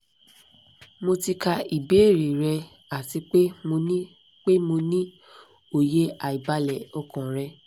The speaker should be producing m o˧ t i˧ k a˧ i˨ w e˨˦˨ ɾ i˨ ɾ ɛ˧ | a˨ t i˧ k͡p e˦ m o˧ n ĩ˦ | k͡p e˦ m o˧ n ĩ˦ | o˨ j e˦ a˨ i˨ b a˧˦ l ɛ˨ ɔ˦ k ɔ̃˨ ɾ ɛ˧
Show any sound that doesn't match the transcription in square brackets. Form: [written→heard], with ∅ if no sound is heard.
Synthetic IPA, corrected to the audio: m o˧ t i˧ k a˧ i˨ [w→b] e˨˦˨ ɾ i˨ ɾ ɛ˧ | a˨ t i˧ k͡p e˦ m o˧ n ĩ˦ | k͡p e˦ m o˧ n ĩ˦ | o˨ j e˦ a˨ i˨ b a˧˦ l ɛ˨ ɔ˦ k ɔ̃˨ ɾ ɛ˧